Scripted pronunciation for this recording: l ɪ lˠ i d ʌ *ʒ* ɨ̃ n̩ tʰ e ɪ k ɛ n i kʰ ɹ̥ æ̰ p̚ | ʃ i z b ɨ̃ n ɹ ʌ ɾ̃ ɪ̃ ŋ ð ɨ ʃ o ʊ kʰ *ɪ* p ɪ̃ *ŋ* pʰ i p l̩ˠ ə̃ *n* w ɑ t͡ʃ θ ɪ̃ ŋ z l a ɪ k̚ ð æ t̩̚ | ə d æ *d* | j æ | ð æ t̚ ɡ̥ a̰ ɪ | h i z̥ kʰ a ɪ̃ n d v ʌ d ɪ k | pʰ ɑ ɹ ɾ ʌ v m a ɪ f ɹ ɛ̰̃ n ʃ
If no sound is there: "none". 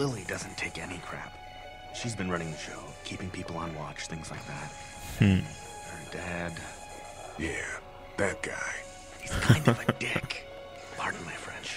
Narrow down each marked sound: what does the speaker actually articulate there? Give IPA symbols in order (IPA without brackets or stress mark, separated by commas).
z, i, ŋ, n, d